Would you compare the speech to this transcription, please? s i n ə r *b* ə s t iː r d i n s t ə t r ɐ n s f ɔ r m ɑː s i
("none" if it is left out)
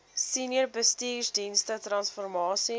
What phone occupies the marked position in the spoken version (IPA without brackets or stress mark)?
b